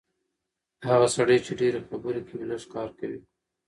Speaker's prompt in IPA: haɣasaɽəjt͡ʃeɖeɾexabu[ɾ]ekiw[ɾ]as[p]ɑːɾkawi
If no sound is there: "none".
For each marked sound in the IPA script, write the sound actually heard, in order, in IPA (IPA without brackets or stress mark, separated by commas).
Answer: ɾ, l, k